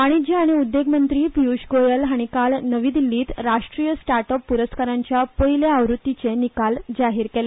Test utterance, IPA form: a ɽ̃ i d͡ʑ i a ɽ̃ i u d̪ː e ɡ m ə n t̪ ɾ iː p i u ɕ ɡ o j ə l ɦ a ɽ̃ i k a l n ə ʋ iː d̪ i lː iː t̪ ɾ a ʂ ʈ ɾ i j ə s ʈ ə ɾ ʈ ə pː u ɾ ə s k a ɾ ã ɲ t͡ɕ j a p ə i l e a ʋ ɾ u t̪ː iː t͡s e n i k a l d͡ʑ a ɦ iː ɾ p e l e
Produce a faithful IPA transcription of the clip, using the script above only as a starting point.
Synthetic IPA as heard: a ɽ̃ i d͡ʑ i a ɽ̃ i u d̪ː e ɡ m ə n t̪ ɾ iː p i u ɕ ɡ o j ə l ɦ a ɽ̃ i k a l n ə ʋ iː d̪ i lː iː t̪ ɾ a ʂ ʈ ɾ i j ə s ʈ a ɾ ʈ ə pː u ɾ ə s k a ɾ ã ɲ t͡ɕ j a p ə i l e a ʋ ɾ u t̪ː i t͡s e n i k a l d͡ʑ a ɦ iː ɾ k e l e